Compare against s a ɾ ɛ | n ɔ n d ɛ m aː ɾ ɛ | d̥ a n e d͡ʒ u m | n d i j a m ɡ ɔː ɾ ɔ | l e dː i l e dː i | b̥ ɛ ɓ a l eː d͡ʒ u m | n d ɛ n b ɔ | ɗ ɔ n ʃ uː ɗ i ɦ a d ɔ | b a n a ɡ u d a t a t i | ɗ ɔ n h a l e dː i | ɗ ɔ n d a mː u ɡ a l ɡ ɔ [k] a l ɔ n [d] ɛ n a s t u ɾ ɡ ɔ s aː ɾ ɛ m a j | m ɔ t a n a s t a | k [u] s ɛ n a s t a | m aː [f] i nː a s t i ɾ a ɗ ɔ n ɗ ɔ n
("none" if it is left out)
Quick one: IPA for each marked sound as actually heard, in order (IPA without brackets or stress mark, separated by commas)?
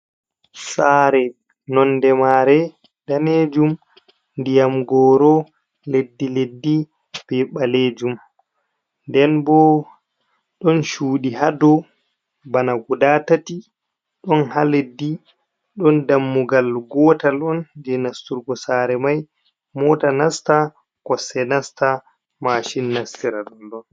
t, d͡ʒ, ɔ, ʃ